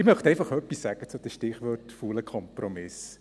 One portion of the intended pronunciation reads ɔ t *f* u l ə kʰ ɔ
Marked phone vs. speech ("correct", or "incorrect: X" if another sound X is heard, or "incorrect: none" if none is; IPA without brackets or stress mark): correct